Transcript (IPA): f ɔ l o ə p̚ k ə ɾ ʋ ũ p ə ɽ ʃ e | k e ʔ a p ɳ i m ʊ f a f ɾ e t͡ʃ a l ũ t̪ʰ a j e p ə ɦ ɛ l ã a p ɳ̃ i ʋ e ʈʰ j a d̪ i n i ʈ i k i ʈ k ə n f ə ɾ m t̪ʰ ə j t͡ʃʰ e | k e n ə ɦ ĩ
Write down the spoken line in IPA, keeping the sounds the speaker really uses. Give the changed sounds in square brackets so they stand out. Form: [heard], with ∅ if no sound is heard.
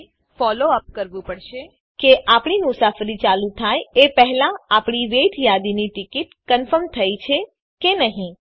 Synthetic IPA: f ɔ l o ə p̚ k ə ɾ ʋ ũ p ə ɽ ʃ e | k e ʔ a p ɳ i m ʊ [s] a f ɾ [i] t͡ʃ a l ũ t̪ʰ a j e p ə ɦ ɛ l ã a p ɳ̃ i ʋ e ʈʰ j a d̪ i n i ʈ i k i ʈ k ə n f ə ɾ m t̪ʰ ə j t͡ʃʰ e | k e n ə ɦ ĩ

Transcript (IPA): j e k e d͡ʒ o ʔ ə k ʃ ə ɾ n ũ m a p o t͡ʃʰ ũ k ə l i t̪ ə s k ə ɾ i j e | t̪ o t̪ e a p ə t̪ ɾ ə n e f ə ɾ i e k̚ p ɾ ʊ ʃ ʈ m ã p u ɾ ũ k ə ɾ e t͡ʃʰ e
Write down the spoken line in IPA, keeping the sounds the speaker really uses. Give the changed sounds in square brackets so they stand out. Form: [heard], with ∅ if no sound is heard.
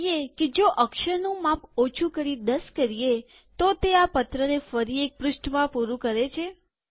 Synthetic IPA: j e k e d͡ʒ o ʔ ə k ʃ ə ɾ n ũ m a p o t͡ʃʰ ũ k ə [ɾ] i [d̪] ə s k ə ɾ i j e | t̪ o t̪ e a p ə t̪ ɾ ə n e f ə ɾ i e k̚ p ɾ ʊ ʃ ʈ m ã p u ɾ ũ k ə ɾ e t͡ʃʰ e

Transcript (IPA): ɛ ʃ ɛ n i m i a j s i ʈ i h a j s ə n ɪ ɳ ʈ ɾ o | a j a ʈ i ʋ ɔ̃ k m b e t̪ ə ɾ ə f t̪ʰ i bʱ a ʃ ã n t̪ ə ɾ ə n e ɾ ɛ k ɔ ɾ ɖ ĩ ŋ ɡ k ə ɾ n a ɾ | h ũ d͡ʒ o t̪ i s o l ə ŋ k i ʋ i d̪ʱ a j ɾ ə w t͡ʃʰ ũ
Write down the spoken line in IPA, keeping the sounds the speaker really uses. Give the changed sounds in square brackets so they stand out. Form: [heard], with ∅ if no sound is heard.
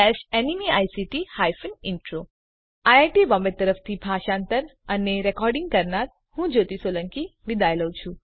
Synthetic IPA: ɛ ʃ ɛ n i m i a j s i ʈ i h a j [f] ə n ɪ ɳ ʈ ɾ o | a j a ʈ i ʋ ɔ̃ [∅] m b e t̪ ə ɾ ə f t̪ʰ i bʱ a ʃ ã n t̪ ə ɾ ə n e ɾ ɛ k ɔ ɾ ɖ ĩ ŋ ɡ k ə ɾ n a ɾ | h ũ d͡ʒ o t̪ i s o l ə ŋ k i ʋ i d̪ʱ a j [l] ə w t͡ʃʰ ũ

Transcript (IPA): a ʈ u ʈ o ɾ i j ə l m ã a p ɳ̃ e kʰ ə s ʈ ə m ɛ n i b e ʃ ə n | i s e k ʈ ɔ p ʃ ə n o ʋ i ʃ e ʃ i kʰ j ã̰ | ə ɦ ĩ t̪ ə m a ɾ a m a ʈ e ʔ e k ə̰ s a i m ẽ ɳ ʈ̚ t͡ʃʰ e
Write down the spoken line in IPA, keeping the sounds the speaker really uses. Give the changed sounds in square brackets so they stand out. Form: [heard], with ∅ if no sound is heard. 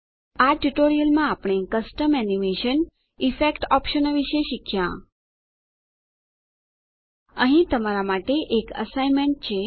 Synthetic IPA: a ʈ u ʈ o ɾ i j ə l m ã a p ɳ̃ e [k] ə s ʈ ə m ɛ n i [m] e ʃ ə n | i [f] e k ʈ ɔ p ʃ ə n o ʋ i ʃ e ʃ i kʰ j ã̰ | ə ɦ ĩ t̪ ə m a ɾ a m a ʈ e ʔ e k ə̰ s a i m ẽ ɳ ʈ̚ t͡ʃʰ e

